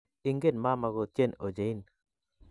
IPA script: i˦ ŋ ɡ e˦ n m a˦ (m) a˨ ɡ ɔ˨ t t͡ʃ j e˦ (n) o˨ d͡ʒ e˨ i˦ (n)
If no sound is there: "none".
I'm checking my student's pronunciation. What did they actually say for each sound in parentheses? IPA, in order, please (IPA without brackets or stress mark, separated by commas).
m, n, n